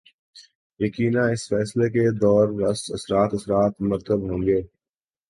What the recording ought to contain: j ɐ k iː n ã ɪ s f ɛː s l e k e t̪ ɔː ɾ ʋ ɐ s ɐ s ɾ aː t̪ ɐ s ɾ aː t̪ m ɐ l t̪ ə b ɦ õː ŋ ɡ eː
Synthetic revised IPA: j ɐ k iː n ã ɪ s f ɛː s l e k e d̪ ɔː ɾ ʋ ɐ s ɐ s ɾ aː t̪ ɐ s ɾ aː t̪ m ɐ ɾ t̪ ə b ɦ õː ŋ ɡ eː